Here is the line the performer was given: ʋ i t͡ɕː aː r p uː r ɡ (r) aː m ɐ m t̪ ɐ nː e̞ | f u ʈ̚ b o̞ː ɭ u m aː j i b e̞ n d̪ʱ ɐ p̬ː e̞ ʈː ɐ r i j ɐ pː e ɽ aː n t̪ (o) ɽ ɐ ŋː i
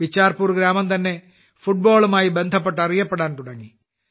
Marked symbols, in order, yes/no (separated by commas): no, no